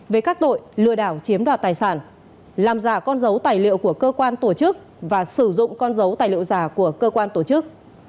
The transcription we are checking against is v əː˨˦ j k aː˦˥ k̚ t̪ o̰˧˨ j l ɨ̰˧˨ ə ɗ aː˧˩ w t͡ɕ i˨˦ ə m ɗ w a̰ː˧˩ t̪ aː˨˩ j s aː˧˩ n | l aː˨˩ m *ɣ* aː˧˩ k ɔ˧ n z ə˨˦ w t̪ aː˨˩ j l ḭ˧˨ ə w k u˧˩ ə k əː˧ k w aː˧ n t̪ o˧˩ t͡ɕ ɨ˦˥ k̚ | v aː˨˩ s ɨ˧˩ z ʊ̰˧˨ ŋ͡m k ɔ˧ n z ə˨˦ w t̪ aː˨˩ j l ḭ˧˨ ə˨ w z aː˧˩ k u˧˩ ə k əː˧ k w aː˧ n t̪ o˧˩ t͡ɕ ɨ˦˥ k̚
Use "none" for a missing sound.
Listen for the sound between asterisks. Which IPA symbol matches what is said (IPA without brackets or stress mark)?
z